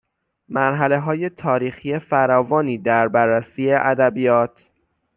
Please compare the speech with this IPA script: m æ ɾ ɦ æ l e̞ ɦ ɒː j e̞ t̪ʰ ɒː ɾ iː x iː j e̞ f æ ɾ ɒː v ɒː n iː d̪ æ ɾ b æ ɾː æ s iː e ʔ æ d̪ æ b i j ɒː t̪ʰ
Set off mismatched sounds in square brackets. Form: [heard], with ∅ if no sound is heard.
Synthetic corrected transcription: m æ ɾ ɦ æ l e̞ ɦ ɒː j e̞ t̪ʰ ɒː ɾ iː x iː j e̞ f æ ɾ ɒː v ɒː n iː d̪ æ ɾ b æ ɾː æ s iː e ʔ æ d̪ æ b i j ɒː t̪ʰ

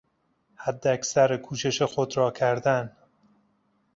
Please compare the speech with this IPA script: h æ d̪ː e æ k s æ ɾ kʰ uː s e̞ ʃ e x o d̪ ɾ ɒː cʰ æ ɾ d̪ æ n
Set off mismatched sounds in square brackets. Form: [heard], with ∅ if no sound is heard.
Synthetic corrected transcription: h æ d̪ː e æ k s æ ɾ kʰ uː [ʃ] e̞ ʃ e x o d̪ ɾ ɒː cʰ æ ɾ d̪ æ n

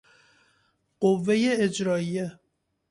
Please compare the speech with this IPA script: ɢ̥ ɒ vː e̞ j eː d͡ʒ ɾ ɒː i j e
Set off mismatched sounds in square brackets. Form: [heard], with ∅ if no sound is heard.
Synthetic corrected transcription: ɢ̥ [o] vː e̞ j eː d͡ʒ ɾ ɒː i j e

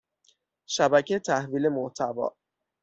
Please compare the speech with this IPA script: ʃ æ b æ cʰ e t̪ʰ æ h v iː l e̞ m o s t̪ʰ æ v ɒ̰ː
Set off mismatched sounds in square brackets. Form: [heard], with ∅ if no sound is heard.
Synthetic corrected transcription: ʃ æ b æ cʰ e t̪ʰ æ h v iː l e̞ m o [h] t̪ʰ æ v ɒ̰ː

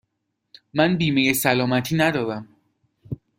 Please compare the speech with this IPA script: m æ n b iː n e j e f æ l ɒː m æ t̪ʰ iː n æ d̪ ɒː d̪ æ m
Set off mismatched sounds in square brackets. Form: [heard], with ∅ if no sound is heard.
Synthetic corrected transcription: m æ n b iː [m] e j e [s] æ l ɒː m æ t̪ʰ iː n æ d̪ ɒː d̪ æ m

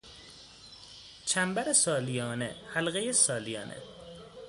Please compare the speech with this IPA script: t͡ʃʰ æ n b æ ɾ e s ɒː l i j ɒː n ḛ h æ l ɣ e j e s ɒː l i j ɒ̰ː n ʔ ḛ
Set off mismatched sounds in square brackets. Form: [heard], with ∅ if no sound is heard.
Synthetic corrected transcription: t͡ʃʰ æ [m] b æ ɾ e s ɒː l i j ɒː n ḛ h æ l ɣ e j e s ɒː l i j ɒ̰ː n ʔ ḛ

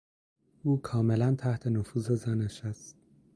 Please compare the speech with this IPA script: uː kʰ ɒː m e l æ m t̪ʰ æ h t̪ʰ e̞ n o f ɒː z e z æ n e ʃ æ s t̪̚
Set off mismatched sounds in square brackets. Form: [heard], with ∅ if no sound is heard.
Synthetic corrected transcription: uː kʰ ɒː m e l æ [n] t̪ʰ æ h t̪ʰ e̞ n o f [uː] z e z æ n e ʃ æ s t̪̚

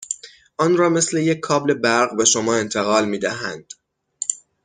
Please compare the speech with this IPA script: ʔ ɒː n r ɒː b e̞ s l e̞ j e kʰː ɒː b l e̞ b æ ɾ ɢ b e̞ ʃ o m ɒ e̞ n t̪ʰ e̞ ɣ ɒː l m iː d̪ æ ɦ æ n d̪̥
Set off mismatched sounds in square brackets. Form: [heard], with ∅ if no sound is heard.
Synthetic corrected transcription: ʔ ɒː n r ɒː [m] e̞ s l e̞ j e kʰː ɒː b l e̞ b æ ɾ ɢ b e̞ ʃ o m [ɒː] e̞ n t̪ʰ e̞ ɣ ɒː l m iː d̪ æ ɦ æ n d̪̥

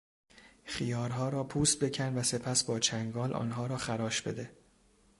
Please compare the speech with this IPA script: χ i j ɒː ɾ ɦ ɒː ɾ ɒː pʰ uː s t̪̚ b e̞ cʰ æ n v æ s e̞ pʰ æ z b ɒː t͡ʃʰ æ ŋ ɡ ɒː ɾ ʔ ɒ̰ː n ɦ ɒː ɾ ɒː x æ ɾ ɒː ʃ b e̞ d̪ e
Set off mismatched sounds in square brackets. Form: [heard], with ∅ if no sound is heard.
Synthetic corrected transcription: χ i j ɒː ɾ ɦ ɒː ɾ ɒː pʰ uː s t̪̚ b e̞ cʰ æ n v æ s e̞ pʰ æ [s] b ɒː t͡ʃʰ æ ŋ ɡ ɒː [l] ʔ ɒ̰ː n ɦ ɒː ɾ ɒː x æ ɾ ɒː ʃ b e̞ d̪ e

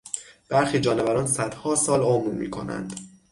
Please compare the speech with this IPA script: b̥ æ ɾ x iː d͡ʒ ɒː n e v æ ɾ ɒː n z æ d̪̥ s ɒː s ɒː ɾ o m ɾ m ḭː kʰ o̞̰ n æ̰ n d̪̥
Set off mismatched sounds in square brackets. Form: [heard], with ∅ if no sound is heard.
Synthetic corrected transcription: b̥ æ ɾ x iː d͡ʒ ɒː n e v æ ɾ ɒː n [s] æ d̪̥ [h] ɒː s ɒː [l] o m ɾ m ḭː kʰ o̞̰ n æ̰ n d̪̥

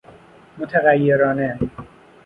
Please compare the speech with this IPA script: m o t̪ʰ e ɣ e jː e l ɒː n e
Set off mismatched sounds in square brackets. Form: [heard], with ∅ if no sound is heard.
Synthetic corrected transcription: m o t̪ʰ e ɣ [æ] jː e [ɾ] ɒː n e

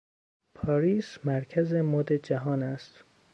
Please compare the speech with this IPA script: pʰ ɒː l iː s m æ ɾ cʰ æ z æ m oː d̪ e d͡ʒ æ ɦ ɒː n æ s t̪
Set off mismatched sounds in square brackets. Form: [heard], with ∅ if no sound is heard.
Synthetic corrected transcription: pʰ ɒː [ɾ] iː s m æ ɾ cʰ æ z [e] m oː d̪ e d͡ʒ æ ɦ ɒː n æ s t̪

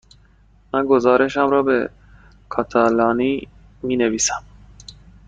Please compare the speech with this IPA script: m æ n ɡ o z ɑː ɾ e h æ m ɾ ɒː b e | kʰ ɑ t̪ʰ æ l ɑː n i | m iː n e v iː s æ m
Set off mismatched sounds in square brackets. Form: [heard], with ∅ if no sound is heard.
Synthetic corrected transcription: m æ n ɡ o z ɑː ɾ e [ʃ] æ m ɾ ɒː b e | kʰ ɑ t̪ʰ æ l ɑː n i | m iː n e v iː s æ m

